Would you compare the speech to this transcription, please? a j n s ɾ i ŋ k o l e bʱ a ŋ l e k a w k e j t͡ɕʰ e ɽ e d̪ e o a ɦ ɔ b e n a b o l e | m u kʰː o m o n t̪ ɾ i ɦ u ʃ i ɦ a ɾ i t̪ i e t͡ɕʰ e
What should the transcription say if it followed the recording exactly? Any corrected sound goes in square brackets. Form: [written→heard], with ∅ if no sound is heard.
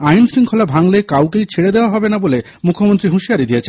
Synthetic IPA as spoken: a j n s ɾ i ŋ [k→kʰ] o l [e→a] bʱ a ŋ l e k a w k e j t͡ɕʰ e ɽ e d̪ e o a ɦ ɔ b e n a b o l e | m u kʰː o m o n t̪ ɾ i ɦ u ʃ i [ɦ→∅] a ɾ i [t̪→d̪] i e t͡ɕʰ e

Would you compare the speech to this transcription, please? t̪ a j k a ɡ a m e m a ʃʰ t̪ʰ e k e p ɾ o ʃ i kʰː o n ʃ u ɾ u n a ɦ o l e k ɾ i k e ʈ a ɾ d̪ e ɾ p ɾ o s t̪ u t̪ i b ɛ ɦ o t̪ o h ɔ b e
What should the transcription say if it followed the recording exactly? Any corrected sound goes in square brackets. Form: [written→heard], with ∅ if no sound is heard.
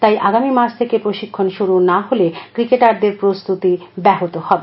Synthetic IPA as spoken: t̪ a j [k→ʔ] a ɡ a m [e→i] m a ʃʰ t̪ʰ e k e p ɾ o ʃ i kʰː o n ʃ u ɾ u n a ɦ o l e k ɾ i k e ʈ a ɾ d̪ e ɾ p ɾ o s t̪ u t̪ i b ɛ ɦ o t̪ o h ɔ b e

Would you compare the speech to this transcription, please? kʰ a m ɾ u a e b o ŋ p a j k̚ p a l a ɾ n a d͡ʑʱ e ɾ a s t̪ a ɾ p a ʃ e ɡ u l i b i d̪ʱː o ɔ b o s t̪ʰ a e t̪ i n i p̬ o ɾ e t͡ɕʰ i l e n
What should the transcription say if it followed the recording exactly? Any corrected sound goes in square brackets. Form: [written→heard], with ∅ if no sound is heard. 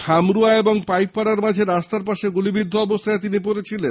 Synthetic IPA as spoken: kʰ a m ɾ u a e b o ŋ p a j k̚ p a [l→ɽ] a ɾ [n→m] a d͡ʑʱ e ɾ a s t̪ a ɾ p a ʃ e ɡ u l i b i d̪ʱː o ɔ b o s t̪ʰ a e t̪ i n i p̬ o ɾ e t͡ɕʰ i l e n

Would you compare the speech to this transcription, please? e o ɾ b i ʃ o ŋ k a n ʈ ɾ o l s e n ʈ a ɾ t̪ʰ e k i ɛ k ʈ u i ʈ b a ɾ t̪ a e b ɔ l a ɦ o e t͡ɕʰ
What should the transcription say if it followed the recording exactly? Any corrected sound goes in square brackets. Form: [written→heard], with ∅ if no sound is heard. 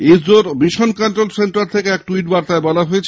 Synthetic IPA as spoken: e o ɾ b i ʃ o [ŋ→n] k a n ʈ ɾ o l s e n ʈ a ɾ t̪ʰ e k [i→e] ɛ k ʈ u i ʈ b a ɾ t̪ a e b ɔ l a ɦ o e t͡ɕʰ

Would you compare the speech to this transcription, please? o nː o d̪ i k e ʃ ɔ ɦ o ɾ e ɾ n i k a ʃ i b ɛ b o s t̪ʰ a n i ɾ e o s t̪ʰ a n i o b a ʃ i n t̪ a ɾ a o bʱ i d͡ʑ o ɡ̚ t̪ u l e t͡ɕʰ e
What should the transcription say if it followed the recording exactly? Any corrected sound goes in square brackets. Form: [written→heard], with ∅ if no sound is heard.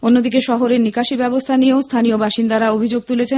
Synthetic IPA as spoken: o nː o d̪ i k e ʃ ɔ ɦ o ɾ e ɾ n i k a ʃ i b ɛ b o s t̪ʰ a n i [ɾ→∅] e o s t̪ʰ a n i o b a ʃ i n [t̪→d̪] a ɾ a o bʱ i d͡ʑ o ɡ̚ t̪ u l e t͡ɕʰ e

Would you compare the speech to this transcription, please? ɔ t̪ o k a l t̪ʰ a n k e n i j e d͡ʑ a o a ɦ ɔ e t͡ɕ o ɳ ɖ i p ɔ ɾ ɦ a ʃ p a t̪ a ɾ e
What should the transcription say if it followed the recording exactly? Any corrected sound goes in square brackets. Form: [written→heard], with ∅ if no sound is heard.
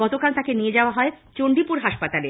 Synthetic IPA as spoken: ɔ t̪ o k a l [t̪ʰ→t̪] a [n→∅] k e n i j e d͡ʑ a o a ɦ ɔ e t͡ɕ o ɳ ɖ i p [ɔ→u] ɾ ɦ a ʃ p a t̪ a [ɾ→l] e

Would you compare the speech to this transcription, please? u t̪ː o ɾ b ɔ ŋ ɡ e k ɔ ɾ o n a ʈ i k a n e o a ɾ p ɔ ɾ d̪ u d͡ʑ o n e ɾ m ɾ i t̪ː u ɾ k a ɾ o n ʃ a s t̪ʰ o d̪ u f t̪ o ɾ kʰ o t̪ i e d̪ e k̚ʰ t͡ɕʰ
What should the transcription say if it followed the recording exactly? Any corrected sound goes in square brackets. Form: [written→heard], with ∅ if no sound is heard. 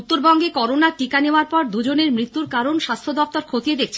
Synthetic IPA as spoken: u t̪ː o ɾ b ɔ ŋ ɡ e k ɔ ɾ o n a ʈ i k a n e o a ɾ p ɔ ɾ d̪ u d͡ʑ o n e ɾ m ɾ i t̪ː u ɾ k a ɾ o n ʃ a s t̪ʰ o d̪ [u→ɔ] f t̪ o ɾ kʰ o t̪ i e d̪ e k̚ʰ t͡ɕʰ

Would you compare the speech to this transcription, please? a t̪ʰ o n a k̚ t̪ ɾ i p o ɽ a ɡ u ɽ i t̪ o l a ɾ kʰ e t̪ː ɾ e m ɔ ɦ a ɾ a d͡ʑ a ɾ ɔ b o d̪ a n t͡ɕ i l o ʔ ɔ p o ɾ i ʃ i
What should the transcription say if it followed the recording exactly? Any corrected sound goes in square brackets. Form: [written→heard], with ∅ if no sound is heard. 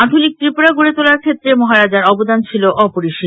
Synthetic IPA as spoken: a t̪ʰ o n [a→i] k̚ t̪ ɾ i p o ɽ a ɡ u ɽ [i→e] t̪ o l a ɾ kʰ e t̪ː ɾ e m ɔ ɦ a ɾ a d͡ʑ a ɾ ɔ b o d̪ a n [t͡ɕ→t͡ɕʰ] i l o ʔ ɔ p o ɾ i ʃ i

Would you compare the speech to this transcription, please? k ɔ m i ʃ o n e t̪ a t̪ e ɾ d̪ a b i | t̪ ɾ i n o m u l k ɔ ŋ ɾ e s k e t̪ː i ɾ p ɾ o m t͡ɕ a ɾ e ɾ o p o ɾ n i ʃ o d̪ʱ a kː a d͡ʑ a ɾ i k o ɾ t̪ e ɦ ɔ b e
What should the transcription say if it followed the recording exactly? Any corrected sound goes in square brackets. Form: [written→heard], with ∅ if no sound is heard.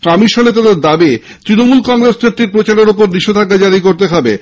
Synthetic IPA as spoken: k ɔ m i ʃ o n e t̪ a [t̪→d̪] e ɾ d̪ a b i | t̪ ɾ i n o m u l k ɔ ŋ ɾ e s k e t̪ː i ɾ p ɾ o [m→∅] t͡ɕ a ɾ e ɾ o p o ɾ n i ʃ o d̪ʱ a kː a d͡ʑ a ɾ i k o ɾ t̪ e ɦ ɔ b e

